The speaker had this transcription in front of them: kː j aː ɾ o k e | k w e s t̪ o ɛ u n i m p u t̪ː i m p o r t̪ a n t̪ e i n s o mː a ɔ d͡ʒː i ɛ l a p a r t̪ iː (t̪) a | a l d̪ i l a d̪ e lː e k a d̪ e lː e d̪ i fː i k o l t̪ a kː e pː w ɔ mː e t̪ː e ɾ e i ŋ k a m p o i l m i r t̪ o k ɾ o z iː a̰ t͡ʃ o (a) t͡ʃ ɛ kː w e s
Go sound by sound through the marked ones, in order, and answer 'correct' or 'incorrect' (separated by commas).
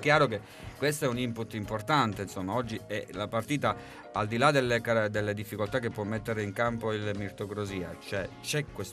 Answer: correct, incorrect